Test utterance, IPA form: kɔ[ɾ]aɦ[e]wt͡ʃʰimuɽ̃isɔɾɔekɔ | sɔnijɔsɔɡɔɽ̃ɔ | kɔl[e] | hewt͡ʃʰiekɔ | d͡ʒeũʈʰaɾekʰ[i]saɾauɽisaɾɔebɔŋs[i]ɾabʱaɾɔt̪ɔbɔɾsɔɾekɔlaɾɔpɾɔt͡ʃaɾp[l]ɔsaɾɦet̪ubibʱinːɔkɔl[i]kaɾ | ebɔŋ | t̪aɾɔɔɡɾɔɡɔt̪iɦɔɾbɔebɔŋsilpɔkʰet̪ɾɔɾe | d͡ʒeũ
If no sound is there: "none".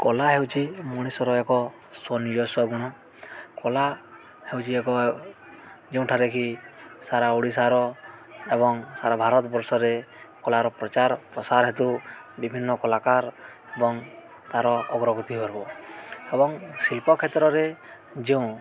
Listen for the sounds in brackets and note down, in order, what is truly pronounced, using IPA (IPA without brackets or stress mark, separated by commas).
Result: l, e, a, i, a, ɾ, a